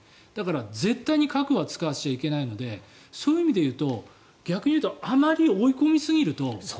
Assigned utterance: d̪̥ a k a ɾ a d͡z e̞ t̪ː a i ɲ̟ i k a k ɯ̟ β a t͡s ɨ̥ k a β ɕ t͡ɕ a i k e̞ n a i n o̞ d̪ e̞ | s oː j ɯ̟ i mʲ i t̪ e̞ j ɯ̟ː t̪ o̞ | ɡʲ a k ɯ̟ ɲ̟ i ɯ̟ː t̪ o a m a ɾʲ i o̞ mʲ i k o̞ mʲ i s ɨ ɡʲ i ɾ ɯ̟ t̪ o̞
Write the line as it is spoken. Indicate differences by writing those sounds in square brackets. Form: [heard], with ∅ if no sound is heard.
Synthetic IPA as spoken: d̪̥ a k a ɾ a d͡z e̞ t̪ː a i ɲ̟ i k a k ɯ̟ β a t͡s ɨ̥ k a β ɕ t͡ɕ a i k e̞ n a i n o̞ d̪ e̞ | s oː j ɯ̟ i mʲ i [d̪] e̞ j ɯ̟ː t̪ o̞ | ɡʲ a k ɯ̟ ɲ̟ i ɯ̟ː t̪ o a m a ɾʲ i o̞ [∅] i k o̞ mʲ i s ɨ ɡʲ i ɾ ɯ̟ t̪ o̞

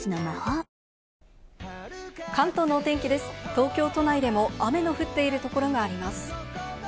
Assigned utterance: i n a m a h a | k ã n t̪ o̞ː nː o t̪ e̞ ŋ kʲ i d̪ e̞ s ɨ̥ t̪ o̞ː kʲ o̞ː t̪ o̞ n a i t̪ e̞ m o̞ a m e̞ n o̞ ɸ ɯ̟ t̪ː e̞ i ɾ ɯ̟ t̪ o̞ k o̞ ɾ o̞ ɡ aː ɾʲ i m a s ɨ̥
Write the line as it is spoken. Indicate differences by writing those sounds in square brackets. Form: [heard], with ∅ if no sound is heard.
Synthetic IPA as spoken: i n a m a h a | k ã n t̪ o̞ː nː o t̪ e̞ ŋ kʲ i d̪ e̞ s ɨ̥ t̪ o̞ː kʲ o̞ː t̪ o̞ n a i [d̪] e̞ m o̞ a m e̞ n o̞ ɸ ɯ̟ t̪ː e̞ i ɾ ɯ̟ t̪ o̞ k o̞ ɾ o̞ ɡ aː ɾʲ i m a s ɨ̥

